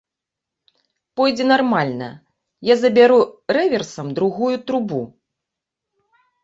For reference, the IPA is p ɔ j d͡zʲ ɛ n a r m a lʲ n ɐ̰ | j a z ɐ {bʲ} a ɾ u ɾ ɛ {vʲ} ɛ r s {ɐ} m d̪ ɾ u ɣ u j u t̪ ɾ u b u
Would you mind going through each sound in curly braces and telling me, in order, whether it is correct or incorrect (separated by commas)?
correct, correct, correct